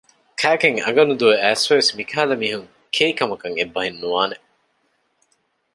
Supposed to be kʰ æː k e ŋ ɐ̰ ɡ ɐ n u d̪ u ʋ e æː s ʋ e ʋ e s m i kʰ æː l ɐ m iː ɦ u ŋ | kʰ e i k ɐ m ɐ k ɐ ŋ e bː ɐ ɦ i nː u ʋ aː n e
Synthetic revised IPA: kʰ æː k e ŋ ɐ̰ ɡ ɐ n u d̪ u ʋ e æː s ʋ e ʋ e s m i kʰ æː l ɐ m iː ɦ u ŋ | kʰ e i k ɐ m ɐ k ɐ ŋ e bː ɐ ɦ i nː u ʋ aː n e